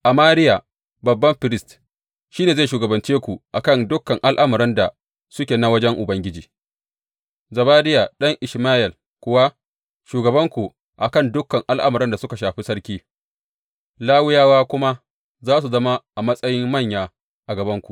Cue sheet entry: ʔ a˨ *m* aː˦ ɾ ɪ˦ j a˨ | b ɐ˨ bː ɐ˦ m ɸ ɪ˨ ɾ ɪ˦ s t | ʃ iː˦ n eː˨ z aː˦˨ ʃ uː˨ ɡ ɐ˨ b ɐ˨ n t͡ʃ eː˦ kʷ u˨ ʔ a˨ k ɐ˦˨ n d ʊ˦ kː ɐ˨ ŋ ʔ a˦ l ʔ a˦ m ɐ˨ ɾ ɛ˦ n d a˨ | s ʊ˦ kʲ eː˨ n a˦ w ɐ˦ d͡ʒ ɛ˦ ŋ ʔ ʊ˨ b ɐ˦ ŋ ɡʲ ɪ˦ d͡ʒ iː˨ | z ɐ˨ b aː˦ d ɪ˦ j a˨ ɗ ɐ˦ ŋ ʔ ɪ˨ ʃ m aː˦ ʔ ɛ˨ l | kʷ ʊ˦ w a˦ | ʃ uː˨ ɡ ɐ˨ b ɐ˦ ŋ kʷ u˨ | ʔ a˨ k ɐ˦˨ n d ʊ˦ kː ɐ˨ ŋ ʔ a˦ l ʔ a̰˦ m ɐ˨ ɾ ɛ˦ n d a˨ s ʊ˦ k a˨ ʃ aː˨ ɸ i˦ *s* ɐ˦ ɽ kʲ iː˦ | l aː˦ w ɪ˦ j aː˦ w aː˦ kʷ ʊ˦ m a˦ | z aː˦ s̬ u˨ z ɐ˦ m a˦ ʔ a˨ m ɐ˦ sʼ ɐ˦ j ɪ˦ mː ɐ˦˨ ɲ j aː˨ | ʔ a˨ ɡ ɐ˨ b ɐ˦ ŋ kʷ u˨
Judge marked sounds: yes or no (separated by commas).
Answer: yes, yes